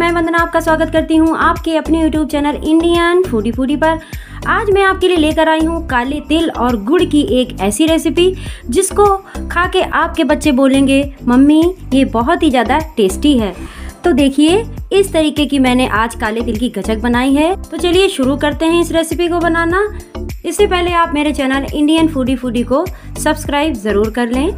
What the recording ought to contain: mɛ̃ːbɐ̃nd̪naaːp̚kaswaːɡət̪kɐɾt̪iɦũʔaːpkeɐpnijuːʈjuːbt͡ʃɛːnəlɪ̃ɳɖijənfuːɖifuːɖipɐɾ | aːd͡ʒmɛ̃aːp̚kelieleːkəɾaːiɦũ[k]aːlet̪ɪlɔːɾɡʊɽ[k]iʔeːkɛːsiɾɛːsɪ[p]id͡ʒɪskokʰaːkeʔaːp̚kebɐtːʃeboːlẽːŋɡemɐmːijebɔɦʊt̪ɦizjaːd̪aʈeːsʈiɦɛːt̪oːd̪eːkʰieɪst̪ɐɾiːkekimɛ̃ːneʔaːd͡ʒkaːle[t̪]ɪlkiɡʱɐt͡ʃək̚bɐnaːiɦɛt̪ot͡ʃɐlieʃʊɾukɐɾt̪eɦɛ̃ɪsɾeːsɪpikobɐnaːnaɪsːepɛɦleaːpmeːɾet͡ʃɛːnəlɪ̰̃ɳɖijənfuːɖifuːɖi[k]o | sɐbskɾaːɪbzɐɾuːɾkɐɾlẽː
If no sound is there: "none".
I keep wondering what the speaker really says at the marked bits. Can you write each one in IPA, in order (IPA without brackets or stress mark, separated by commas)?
k, k, p, t̪, k